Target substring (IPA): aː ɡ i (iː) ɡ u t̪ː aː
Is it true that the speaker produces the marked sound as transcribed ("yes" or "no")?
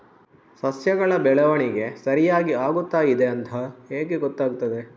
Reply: no